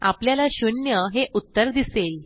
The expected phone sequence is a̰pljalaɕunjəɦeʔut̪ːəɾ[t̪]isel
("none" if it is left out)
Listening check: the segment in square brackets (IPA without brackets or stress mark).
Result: d̪